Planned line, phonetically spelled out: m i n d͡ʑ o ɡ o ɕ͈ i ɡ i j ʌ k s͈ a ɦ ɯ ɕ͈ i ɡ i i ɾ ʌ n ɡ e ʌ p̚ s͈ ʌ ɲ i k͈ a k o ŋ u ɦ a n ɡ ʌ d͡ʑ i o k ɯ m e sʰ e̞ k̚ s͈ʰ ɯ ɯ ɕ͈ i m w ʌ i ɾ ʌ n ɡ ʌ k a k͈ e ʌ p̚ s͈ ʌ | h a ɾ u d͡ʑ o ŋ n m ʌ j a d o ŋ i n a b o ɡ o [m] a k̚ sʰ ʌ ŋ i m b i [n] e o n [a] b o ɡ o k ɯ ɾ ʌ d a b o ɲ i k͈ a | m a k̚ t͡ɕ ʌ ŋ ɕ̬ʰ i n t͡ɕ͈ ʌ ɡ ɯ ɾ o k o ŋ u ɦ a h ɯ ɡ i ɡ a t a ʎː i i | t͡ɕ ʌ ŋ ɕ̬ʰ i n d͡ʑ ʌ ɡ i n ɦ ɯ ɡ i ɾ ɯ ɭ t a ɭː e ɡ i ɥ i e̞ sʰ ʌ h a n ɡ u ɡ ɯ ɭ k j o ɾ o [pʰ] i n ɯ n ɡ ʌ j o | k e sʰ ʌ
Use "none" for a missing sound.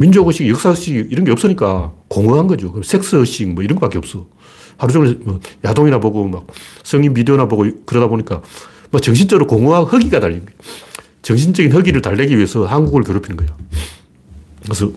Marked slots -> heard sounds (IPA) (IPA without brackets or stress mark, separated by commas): m, d, a, pʰ